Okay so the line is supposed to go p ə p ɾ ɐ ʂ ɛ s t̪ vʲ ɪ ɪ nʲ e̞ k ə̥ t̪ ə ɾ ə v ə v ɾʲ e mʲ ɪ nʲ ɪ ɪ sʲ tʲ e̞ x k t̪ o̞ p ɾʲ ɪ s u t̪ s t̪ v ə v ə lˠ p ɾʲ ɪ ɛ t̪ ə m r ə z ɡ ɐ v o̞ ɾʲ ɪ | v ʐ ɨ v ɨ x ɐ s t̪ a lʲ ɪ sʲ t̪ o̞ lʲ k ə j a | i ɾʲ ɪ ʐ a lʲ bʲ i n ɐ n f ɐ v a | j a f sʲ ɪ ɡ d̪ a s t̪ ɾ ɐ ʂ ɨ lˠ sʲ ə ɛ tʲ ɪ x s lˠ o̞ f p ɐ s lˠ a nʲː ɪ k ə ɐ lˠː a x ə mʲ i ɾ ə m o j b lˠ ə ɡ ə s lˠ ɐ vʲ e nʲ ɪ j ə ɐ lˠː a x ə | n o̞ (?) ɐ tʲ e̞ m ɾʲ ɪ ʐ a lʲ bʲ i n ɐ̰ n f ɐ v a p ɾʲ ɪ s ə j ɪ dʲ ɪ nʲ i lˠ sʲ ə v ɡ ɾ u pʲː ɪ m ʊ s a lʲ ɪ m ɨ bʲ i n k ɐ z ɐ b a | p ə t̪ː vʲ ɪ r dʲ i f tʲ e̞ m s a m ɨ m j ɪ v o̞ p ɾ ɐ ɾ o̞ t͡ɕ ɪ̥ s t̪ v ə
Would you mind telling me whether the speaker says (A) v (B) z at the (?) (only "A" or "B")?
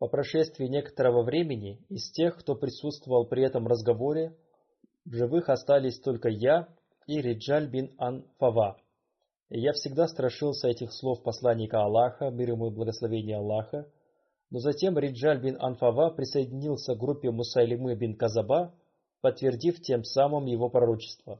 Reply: B